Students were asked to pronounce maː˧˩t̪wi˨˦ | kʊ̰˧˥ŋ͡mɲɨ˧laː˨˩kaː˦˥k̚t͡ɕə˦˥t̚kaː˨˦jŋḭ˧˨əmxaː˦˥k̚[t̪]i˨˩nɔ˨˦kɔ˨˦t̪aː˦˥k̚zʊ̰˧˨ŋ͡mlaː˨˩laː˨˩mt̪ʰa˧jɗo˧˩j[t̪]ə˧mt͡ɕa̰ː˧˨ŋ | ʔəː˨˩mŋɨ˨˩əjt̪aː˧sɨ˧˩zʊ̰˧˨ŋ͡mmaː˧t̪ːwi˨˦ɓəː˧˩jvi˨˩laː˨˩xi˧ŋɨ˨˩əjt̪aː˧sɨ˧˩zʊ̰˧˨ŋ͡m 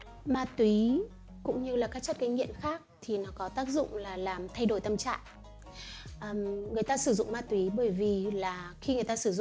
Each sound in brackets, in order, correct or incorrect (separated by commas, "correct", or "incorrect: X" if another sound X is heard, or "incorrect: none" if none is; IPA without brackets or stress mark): incorrect: t̪ʰ, correct